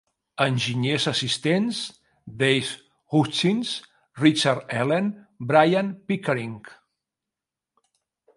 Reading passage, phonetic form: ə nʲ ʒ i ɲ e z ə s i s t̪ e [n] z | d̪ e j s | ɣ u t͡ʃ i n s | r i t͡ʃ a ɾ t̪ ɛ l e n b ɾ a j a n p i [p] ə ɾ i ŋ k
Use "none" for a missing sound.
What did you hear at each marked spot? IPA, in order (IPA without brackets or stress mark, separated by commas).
n, k